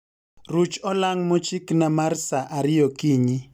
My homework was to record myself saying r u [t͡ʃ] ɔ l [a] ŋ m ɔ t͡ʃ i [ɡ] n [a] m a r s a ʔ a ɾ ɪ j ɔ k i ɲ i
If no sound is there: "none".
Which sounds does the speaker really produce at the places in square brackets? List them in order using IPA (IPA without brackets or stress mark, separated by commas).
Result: t͡ʃ, a, k, a